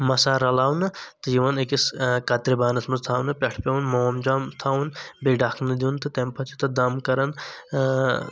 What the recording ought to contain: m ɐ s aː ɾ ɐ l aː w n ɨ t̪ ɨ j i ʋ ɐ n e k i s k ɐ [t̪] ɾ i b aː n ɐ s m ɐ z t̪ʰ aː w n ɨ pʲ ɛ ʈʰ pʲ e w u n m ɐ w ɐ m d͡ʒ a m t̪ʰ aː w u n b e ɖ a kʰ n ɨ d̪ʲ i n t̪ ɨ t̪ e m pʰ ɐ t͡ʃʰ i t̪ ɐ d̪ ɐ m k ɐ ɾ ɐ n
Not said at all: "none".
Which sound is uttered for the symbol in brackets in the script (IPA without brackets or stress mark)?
t̪